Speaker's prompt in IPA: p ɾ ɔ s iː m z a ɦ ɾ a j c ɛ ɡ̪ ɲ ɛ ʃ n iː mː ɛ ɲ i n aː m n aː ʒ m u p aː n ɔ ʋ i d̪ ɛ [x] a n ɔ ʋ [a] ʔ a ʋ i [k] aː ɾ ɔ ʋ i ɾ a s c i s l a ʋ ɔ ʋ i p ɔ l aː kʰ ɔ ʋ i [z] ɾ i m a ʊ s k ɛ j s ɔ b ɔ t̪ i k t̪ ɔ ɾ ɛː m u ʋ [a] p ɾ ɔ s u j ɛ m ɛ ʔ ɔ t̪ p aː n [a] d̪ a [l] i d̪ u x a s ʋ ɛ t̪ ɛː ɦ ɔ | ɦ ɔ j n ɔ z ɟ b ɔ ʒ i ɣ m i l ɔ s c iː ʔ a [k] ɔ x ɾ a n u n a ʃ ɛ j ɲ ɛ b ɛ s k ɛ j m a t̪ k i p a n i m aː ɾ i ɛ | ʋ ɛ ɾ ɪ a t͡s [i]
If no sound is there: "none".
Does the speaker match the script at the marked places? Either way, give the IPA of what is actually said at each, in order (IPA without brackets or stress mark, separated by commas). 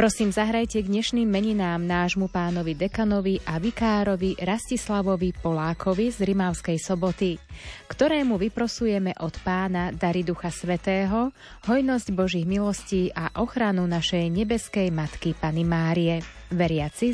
k, i, k, z, i, a, ɾ, ʔ, i